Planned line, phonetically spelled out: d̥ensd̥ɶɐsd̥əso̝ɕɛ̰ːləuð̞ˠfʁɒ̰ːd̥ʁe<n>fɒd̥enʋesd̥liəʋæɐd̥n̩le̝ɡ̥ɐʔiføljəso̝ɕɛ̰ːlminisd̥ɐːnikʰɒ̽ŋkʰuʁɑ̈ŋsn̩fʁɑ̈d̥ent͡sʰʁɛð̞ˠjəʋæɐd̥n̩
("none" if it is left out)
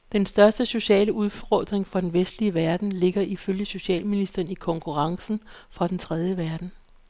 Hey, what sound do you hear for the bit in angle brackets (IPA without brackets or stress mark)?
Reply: ŋ